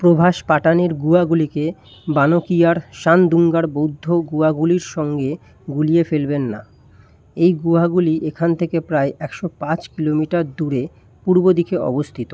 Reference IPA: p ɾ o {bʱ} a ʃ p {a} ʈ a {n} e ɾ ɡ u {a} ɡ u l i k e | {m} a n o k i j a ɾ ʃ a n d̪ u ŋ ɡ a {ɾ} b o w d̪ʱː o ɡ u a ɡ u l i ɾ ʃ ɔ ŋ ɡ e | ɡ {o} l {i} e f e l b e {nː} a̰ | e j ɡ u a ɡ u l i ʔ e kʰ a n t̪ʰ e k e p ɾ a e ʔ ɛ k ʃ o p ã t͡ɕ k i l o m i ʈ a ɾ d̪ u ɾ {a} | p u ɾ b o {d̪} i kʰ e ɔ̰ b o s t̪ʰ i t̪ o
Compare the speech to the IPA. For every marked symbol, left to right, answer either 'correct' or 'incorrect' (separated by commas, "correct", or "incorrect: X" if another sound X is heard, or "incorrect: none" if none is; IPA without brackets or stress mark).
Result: correct, correct, correct, correct, incorrect: b, correct, incorrect: u, correct, correct, incorrect: e, correct